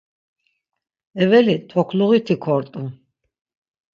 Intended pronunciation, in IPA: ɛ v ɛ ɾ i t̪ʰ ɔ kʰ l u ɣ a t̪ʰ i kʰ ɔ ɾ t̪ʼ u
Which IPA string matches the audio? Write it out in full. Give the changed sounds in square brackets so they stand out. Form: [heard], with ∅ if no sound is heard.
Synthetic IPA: ɛ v ɛ [l] i t̪ʰ ɔ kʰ l u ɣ [i] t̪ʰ i kʰ ɔ ɾ t̪ʼ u